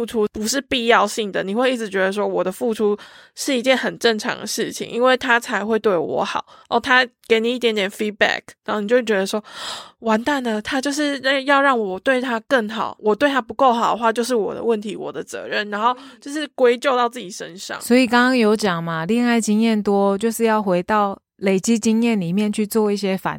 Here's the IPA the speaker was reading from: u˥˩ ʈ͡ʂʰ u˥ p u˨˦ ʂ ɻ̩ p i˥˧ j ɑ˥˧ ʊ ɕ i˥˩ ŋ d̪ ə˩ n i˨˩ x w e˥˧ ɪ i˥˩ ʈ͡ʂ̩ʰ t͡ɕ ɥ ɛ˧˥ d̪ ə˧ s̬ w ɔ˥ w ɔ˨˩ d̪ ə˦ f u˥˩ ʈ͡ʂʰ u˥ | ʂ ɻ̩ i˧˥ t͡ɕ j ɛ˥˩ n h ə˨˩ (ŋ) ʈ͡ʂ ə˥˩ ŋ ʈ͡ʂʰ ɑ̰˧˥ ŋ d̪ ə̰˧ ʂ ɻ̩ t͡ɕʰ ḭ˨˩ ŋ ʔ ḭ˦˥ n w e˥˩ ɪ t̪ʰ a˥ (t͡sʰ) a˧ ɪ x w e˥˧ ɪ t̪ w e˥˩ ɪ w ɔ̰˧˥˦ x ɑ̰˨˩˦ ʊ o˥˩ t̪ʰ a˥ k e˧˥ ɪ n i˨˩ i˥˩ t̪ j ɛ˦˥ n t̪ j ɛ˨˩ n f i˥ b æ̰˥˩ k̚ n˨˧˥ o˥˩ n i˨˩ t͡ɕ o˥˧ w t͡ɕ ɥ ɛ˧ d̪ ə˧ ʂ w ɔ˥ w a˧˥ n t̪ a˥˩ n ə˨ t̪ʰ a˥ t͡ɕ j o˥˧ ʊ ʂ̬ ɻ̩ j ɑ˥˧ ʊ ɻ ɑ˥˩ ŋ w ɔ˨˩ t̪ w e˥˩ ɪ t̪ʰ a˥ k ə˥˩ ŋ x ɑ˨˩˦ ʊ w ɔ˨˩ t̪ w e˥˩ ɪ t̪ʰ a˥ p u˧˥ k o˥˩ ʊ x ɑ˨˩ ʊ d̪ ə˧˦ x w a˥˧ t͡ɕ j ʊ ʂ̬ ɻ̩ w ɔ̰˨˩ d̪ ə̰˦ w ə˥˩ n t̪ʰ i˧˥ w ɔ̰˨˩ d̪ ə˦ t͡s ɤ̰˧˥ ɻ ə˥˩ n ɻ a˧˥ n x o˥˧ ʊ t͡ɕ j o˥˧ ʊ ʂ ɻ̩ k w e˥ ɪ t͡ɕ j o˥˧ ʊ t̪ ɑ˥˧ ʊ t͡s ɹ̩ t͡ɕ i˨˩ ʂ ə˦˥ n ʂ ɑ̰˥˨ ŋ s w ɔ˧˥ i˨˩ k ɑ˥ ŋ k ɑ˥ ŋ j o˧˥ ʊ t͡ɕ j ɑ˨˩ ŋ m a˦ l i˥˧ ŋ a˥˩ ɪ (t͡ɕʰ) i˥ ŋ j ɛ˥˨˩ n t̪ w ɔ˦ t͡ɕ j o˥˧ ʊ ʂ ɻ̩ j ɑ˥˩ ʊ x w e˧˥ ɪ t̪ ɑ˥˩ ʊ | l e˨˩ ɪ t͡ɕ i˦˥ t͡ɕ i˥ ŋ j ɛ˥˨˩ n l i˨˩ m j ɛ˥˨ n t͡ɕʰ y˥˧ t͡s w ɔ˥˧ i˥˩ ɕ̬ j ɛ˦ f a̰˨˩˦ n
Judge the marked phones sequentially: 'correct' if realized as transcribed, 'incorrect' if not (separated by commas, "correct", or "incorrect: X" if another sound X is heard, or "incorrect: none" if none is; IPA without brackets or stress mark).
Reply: incorrect: n, correct, incorrect: t͡ɕ